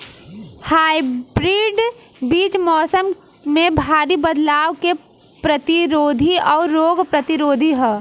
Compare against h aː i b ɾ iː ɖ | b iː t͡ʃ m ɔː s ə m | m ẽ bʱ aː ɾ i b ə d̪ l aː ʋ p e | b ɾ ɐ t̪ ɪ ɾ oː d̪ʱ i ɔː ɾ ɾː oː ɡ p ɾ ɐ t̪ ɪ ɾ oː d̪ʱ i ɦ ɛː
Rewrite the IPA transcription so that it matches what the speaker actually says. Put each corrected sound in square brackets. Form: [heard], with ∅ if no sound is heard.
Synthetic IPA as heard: h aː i b ɾ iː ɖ | b iː t͡ʃ m ɔː s ə m | m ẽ bʱ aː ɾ i b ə d̪ l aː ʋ [k] e | [p] ɾ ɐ t̪ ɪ ɾ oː d̪ʱ i ɔː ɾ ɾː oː ɡ p ɾ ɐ t̪ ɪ ɾ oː d̪ʱ i ɦ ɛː